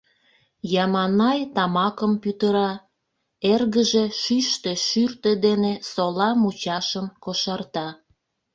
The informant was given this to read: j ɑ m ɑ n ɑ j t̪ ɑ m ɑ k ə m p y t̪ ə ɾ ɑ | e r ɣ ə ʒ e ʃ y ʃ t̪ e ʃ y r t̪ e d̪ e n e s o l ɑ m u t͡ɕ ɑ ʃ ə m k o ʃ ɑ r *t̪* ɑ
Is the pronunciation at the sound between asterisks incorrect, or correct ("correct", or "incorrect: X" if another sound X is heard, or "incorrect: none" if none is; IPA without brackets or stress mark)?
correct